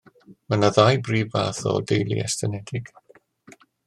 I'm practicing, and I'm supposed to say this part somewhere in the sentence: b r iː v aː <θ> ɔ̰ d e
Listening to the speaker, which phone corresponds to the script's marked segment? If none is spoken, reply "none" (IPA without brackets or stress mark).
θ